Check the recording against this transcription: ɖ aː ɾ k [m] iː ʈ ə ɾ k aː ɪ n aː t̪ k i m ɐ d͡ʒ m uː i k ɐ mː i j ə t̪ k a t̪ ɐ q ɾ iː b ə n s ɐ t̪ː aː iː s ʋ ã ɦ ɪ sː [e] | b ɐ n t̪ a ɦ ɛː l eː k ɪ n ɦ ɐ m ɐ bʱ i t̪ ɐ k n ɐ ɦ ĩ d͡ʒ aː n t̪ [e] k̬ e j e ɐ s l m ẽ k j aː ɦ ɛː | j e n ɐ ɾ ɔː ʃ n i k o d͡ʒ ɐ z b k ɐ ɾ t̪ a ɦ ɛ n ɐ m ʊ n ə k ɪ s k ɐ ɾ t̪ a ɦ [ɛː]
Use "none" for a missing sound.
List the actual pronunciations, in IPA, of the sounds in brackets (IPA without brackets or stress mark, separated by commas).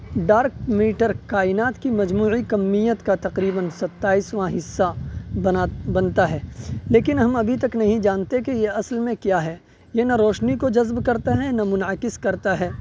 m, a, e, ɛː